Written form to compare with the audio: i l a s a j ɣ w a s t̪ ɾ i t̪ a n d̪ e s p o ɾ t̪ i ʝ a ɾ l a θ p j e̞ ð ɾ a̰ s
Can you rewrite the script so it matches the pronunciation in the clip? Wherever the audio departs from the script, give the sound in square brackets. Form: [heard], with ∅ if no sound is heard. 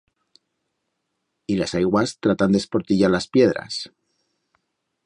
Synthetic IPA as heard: i l a s a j ɣ w a s t̪ ɾ [a] t̪ a n d̪ e s p o ɾ t̪ i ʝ a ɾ l a [s] p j e̞ ð ɾ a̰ s